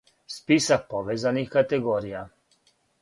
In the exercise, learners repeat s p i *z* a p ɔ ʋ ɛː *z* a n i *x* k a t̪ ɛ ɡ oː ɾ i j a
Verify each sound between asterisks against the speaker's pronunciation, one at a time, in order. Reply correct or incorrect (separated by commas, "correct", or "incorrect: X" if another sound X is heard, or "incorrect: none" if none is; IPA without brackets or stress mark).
incorrect: s, correct, correct